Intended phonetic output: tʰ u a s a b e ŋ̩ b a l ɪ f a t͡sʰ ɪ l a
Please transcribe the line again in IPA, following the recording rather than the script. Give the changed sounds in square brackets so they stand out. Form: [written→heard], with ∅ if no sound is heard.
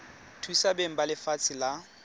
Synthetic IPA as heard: tʰ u [a→i] s a b e ŋ̩ b a l ɪ f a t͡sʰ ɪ l a